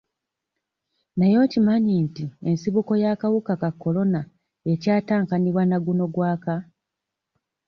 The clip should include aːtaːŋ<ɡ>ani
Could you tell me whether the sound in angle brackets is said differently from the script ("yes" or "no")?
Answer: yes